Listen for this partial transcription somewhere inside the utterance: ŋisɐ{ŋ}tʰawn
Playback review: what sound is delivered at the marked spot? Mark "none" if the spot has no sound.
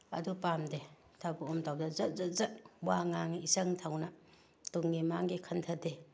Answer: ŋ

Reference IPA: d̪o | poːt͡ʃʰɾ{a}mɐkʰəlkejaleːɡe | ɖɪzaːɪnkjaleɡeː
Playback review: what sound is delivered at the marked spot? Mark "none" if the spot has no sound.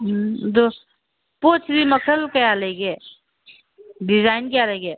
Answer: i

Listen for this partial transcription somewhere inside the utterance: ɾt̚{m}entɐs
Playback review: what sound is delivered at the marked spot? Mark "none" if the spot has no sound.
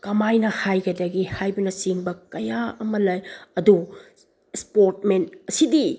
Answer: m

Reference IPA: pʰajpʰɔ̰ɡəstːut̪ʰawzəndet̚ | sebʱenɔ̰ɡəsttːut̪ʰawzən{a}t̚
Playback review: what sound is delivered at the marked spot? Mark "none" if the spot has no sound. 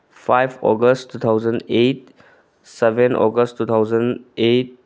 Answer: e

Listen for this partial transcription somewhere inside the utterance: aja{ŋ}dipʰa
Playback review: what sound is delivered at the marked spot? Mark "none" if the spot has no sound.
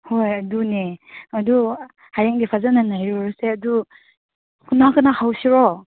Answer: ŋ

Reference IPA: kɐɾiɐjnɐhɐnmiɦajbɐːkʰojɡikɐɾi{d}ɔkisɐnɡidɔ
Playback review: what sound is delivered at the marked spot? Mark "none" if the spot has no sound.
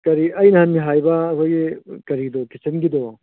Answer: d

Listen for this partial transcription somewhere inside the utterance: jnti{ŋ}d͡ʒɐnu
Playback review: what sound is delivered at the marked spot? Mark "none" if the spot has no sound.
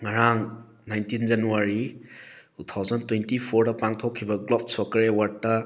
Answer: n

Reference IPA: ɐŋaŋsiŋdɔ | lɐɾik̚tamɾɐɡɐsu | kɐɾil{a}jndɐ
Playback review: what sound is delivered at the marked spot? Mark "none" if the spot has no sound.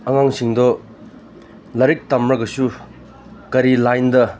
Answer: a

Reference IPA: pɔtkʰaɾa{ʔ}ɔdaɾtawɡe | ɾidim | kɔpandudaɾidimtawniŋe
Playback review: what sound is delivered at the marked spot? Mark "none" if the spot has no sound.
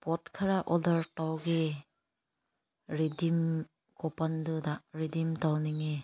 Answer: ʔ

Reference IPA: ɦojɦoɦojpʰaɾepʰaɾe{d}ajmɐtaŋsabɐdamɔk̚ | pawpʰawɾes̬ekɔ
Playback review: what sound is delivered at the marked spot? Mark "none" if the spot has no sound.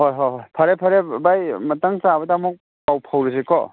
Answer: b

